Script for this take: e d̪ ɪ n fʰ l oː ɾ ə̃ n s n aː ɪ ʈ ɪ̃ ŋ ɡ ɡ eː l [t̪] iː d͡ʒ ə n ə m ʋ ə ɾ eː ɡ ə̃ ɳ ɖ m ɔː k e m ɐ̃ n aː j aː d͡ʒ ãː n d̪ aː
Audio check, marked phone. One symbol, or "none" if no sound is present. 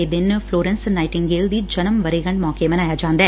d̪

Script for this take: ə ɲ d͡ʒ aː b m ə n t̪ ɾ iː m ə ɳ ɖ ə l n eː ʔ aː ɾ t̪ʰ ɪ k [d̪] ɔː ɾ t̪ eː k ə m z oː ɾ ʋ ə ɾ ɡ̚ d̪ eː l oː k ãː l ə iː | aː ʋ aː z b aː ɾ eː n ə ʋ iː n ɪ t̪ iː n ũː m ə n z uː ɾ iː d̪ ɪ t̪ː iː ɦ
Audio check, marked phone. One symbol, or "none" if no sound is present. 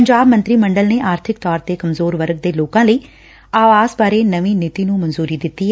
t̪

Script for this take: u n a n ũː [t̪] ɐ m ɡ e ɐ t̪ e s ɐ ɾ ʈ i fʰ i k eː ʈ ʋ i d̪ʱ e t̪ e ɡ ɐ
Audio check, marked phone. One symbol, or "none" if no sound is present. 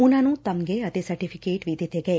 t̪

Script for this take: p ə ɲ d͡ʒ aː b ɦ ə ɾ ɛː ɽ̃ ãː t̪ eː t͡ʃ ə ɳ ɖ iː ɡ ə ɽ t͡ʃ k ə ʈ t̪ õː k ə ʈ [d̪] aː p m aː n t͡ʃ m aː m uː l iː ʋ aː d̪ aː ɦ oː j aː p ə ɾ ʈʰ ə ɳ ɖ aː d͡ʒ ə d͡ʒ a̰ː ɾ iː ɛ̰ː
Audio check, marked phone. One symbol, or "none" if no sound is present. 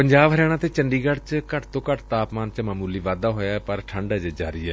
t̪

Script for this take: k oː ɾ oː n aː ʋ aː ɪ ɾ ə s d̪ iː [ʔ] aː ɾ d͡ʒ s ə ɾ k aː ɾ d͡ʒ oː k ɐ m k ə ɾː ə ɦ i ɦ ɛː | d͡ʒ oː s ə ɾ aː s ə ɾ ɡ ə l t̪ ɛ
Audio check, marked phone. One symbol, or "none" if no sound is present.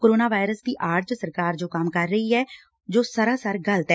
ʔ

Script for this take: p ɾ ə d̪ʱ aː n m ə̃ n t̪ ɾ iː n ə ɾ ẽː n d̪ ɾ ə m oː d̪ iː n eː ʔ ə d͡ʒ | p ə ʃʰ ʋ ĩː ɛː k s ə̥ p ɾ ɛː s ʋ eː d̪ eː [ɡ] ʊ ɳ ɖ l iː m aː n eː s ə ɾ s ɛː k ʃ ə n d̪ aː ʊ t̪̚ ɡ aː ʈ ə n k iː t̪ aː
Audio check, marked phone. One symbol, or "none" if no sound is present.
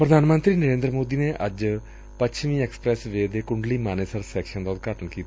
k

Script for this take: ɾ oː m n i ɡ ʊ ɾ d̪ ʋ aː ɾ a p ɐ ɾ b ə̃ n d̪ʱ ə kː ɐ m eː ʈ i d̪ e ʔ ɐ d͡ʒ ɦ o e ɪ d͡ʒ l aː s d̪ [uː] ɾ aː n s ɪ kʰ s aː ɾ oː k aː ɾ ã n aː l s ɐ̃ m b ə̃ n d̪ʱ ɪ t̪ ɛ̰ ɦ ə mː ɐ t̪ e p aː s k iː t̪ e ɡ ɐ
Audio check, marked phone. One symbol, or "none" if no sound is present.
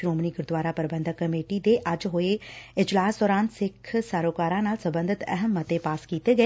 ɔː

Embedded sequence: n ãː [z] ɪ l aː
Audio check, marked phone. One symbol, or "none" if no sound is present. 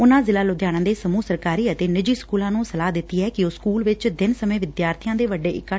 z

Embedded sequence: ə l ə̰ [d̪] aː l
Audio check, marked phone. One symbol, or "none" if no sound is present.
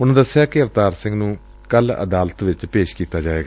d̪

